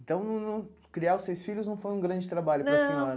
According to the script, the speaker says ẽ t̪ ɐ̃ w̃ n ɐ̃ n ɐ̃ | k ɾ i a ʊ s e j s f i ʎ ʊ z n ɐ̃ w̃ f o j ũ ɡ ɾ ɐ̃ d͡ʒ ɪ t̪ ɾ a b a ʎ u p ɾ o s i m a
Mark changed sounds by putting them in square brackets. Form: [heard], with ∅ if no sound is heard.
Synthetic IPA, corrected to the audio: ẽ t̪ ɐ̃ w̃ n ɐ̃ n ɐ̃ | k ɾ i a ʊ s e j s f i ʎ ʊ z n ɐ̃ w̃ f o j ũ ɡ ɾ ɐ̃ d͡ʒ ɪ t̪ ɾ a b a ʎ [ʊ] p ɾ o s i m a